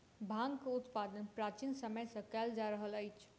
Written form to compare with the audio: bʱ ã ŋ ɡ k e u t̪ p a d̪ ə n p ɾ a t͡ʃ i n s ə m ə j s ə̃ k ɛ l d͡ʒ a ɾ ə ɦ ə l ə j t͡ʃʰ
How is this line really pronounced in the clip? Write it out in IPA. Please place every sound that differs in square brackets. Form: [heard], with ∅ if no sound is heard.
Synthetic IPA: bʱ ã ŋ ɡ k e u t̪ p a d̪ ə n p ɾ a t͡ʃ i n s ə m ə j s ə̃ k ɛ l d͡ʒ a ɾ ə ɦ ə l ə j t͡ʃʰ